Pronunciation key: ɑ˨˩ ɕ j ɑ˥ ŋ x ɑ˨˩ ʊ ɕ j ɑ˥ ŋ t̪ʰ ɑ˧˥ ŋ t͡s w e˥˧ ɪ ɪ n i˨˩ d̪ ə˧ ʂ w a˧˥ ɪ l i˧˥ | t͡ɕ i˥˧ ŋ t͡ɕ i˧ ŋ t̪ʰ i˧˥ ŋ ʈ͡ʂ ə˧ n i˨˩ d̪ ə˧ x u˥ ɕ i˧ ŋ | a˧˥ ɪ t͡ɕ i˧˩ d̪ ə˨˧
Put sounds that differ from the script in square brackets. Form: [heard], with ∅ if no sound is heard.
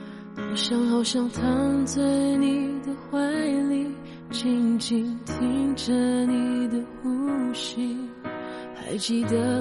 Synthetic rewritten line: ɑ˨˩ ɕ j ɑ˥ ŋ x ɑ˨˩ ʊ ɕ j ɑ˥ ŋ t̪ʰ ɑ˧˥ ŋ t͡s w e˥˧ ɪ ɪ n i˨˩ d̪ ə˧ [x] w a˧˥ ɪ l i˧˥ | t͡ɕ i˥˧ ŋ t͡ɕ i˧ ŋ t̪ʰ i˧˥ ŋ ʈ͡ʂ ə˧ n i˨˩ d̪ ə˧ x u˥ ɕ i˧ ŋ | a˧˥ ɪ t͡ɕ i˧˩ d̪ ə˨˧